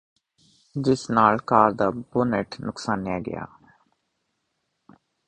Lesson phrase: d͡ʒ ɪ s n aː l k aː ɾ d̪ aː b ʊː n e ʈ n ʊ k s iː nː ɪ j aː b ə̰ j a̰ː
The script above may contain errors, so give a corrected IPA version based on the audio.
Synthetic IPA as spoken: d͡ʒ ɪ s n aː l k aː ɾ d̪ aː b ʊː n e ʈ n ʊ k s aː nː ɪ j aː ɡ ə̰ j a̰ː